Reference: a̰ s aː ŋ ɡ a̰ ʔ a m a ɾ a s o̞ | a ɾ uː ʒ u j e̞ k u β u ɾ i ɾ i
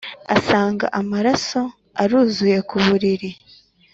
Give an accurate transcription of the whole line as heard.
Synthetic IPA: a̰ s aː ŋ ɡ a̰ ʔ a m a ɾ a s o̞ | a ɾ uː z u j e̞ k u β u ɾ i ɾ i